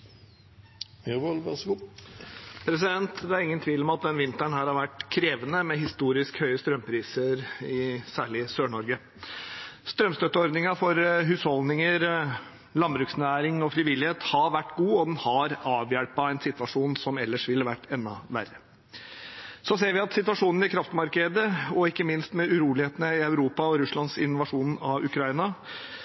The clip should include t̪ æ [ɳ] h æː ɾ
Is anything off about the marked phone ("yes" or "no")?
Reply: no